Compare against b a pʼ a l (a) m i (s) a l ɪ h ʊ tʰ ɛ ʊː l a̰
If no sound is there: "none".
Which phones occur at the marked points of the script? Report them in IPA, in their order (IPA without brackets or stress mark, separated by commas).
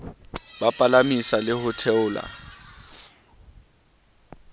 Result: a, s